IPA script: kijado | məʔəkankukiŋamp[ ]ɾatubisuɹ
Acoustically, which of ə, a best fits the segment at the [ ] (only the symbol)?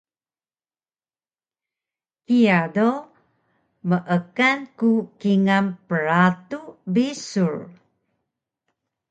ə